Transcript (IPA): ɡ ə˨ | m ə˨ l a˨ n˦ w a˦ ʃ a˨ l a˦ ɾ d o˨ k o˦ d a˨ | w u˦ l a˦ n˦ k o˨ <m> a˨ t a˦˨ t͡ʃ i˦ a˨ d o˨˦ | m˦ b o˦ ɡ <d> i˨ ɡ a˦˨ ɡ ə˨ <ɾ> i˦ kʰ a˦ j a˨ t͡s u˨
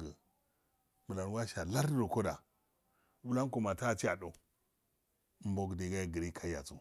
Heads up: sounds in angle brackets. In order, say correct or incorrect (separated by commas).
correct, correct, correct